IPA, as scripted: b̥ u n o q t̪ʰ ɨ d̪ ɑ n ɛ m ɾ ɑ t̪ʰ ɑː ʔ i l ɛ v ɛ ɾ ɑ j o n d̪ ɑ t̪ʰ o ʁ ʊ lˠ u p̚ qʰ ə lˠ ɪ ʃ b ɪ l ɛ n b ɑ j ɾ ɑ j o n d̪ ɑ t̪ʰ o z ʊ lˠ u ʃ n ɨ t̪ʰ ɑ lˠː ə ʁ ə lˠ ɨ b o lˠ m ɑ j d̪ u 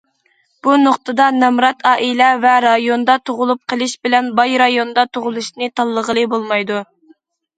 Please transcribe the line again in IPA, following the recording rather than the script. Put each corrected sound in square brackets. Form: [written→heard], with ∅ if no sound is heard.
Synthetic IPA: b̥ u n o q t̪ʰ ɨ d̪ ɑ n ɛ m ɾ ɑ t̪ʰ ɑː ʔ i l ɛ v ɛ ɾ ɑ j o n d̪ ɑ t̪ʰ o ʁ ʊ lˠ u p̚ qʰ ə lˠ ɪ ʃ b ɪ l ɛ n b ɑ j ɾ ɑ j o n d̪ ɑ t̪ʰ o [z→ʁ] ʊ lˠ u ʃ n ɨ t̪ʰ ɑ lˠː ə ʁ ə lˠ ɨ b o lˠ m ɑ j d̪ u